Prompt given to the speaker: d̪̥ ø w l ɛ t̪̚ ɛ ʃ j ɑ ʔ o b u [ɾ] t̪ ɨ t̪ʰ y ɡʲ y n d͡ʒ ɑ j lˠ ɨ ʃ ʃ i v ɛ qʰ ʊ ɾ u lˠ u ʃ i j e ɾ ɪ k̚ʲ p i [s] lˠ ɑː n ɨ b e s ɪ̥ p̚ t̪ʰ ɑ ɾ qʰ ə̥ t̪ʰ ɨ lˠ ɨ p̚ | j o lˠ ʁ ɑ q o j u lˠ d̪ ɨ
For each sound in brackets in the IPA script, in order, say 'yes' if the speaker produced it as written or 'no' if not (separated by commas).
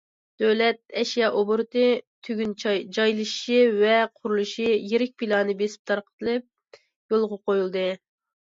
yes, no